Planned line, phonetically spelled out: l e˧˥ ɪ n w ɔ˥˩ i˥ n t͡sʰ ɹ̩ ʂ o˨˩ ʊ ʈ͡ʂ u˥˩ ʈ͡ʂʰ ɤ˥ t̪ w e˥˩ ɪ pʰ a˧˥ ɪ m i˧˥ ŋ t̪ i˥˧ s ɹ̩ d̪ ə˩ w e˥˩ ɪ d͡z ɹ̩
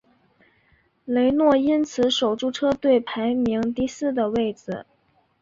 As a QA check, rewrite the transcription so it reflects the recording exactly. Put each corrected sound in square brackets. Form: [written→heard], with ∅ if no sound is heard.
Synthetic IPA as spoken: l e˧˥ ɪ n w ɔ˥˩ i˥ n t͡sʰ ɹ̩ ʂ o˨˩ ʊ ʈ͡ʂ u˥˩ ʈ͡ʂʰ ɤ˥ t̪ w e˥˩ ɪ pʰ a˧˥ ɪ m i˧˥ ŋ t̪ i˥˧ s ɹ̩ d̪ ə˩ w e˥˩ ɪ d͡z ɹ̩

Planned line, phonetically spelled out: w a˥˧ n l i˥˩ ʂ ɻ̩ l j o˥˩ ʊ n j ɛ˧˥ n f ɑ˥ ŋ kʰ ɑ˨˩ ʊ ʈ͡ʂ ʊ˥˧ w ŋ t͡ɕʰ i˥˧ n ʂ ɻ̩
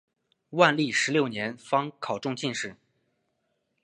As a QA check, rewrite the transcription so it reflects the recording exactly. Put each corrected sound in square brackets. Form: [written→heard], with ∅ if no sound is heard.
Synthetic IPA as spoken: w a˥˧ n l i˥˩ ʂ ɻ̩ l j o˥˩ ʊ n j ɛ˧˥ n f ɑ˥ ŋ kʰ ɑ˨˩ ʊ ʈ͡ʂ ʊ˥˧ [w→∅] ŋ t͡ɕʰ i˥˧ n ʂ ɻ̩

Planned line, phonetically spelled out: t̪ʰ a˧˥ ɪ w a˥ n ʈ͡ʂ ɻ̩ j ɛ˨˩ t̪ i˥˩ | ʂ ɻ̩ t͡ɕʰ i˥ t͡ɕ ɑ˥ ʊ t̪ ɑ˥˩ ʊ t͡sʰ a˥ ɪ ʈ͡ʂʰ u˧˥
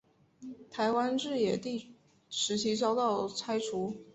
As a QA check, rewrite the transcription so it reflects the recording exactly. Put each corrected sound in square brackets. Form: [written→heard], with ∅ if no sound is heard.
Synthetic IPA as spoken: t̪ʰ a˧˥ ɪ w a˥ n ʈ͡ʂ ɻ̩ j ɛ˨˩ t̪ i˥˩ | ʂ ɻ̩ t͡ɕʰ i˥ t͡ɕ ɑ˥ ʊ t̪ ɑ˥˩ ʊ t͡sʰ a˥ ɪ ʈ͡ʂʰ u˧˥

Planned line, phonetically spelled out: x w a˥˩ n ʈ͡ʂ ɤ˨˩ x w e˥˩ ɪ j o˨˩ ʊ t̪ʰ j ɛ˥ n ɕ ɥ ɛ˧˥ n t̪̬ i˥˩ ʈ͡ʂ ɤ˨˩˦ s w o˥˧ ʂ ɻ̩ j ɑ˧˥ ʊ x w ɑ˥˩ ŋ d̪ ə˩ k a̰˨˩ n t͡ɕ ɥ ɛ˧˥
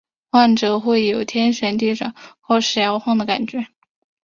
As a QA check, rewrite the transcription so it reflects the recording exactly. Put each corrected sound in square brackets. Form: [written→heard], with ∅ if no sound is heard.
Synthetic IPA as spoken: x w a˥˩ n ʈ͡ʂ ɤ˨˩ x w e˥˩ ɪ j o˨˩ ʊ t̪ʰ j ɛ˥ n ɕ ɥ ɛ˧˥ n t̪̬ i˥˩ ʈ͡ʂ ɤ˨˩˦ [s→x] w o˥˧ ʂ ɻ̩ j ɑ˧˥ ʊ x w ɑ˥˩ ŋ d̪ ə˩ k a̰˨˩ n t͡ɕ ɥ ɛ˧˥

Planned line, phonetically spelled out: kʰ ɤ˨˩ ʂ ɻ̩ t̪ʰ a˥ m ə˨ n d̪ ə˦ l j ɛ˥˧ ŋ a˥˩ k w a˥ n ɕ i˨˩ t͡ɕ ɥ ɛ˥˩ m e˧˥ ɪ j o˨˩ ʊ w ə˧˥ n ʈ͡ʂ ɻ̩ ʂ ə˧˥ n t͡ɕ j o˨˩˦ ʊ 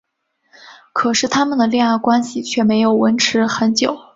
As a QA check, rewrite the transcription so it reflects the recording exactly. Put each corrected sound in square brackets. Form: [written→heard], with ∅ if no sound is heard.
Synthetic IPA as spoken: kʰ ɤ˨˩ ʂ ɻ̩ t̪ʰ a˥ m ə˨ n d̪ [ə˦→ə˩] l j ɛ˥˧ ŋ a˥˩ k w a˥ n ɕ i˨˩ [t͡ɕ→t͡ɕʰ] ɥ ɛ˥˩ m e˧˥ ɪ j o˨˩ ʊ w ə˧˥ n [ʈ͡ʂ→ʈ͡ʂʰ] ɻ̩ [ʂ→x] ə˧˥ n t͡ɕ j o˨˩˦ ʊ

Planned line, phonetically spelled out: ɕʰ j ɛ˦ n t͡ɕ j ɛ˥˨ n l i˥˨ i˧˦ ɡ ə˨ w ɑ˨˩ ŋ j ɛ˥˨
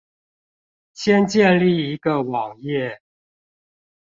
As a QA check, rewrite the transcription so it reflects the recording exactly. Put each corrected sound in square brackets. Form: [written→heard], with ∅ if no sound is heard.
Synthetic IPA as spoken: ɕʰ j ɛ˦ n t͡ɕ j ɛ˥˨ n l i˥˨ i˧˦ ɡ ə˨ w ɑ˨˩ ŋ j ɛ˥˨

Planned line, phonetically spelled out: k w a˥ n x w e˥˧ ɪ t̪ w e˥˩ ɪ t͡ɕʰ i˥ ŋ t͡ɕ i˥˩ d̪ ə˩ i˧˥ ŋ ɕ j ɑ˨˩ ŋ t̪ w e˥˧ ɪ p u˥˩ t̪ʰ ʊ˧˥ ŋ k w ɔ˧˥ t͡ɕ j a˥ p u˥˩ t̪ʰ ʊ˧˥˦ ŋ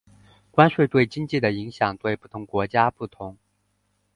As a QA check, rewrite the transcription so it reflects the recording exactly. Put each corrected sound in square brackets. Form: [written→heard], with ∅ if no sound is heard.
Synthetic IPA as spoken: k w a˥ n [x→ʂ] w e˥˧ ɪ t̪ w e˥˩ ɪ [t͡ɕʰ→t͡ɕ] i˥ ŋ t͡ɕ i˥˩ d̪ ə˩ i˧˥ ŋ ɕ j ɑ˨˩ ŋ t̪ w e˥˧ ɪ p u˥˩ t̪ʰ ʊ˧˥ ŋ k w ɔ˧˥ t͡ɕ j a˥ p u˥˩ t̪ʰ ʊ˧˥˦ ŋ

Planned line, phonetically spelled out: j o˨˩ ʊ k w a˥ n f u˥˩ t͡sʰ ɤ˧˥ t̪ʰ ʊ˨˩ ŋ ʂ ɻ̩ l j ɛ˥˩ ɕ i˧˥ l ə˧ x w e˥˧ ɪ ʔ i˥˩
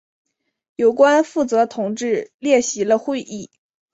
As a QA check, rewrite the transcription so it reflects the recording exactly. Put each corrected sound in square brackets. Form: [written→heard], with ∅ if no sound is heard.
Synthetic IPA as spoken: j o˨˩ ʊ k w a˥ n f u˥˩ [t͡sʰ→t͡s] ɤ˧˥ t̪ʰ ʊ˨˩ ŋ [ʂ→ʈ͡ʂ] ɻ̩ l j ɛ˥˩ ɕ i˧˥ l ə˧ x w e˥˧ ɪ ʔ i˥˩

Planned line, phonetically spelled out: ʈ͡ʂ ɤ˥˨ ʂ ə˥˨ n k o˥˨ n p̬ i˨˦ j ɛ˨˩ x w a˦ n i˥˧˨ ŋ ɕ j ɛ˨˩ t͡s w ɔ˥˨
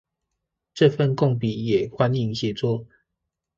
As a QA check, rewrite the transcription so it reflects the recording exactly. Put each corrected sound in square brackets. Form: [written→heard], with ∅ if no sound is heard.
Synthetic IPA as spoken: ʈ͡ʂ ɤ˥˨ [ʂ→f] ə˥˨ n k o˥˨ [n→ŋ] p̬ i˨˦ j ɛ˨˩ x w a˦ n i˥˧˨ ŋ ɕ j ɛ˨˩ t͡s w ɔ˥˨

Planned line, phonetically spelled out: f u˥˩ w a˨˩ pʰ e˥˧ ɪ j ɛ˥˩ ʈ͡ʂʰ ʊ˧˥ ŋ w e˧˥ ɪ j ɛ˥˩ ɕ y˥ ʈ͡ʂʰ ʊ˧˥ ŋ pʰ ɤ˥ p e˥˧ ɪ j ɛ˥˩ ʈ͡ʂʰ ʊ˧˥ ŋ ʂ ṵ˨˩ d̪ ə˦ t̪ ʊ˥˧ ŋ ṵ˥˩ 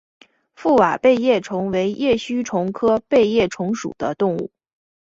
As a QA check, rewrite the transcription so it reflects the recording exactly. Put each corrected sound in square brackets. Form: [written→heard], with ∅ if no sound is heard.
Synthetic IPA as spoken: f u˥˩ w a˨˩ [pʰ→p] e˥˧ ɪ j ɛ˥˩ ʈ͡ʂʰ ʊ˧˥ ŋ w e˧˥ ɪ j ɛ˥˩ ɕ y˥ ʈ͡ʂʰ ʊ˧˥ ŋ [pʰ→kʰ] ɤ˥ p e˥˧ ɪ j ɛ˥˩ ʈ͡ʂʰ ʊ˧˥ ŋ ʂ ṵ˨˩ d̪ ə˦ t̪ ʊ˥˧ ŋ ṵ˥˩

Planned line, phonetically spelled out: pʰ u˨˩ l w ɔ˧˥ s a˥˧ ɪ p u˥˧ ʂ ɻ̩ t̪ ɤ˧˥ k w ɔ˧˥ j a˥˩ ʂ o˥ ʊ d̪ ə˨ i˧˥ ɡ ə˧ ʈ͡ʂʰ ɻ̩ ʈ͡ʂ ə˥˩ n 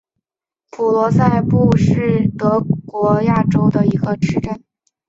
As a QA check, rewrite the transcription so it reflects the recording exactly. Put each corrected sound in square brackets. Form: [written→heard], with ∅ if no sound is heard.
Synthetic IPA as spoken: pʰ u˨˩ l w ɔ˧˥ s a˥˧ ɪ p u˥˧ ʂ ɻ̩ t̪ ɤ˧˥ k w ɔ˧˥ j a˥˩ [ʂ→ʈ͡ʂ] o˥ ʊ d̪ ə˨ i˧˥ ɡ ə˧ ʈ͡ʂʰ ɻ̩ ʈ͡ʂ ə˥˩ n

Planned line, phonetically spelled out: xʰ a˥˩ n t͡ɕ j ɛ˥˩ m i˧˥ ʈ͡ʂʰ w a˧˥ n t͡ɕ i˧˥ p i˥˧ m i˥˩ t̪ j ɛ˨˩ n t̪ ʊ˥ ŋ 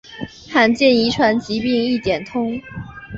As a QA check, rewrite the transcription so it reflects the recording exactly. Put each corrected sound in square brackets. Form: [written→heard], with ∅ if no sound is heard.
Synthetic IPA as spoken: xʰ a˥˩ n t͡ɕ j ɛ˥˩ [m→n] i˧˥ ʈ͡ʂʰ w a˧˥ n t͡ɕ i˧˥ p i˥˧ [m→ŋ] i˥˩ t̪ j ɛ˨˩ n [t̪→t̪ʰ] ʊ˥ ŋ

